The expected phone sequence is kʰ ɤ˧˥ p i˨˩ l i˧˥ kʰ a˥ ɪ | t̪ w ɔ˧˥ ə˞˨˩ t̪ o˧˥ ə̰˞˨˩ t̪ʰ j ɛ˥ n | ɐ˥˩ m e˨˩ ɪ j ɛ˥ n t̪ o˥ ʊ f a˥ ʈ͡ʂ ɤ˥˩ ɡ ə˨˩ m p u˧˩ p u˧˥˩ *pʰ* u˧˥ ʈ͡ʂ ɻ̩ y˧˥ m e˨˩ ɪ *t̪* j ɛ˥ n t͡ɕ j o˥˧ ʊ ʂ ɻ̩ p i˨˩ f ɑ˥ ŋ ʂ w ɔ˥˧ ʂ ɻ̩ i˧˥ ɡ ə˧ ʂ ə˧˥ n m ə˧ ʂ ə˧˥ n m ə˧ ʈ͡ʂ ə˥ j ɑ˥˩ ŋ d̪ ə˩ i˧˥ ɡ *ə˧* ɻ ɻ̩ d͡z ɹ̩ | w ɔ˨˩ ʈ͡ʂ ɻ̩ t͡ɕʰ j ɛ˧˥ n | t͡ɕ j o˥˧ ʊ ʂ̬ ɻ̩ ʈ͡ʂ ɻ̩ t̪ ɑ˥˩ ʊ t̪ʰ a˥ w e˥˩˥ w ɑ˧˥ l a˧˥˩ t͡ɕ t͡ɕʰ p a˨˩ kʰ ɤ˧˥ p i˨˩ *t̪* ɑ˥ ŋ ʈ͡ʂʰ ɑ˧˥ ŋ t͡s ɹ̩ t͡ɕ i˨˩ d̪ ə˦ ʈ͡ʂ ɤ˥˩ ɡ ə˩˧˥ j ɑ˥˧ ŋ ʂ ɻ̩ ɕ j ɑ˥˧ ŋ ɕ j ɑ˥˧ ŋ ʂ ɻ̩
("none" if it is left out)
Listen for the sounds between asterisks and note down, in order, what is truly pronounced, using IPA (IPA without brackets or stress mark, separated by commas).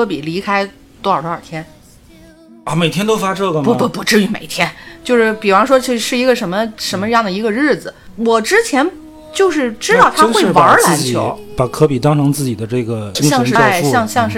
p, t̪ʰ, ə˧, t̪